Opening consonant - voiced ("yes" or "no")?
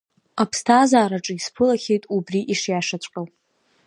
no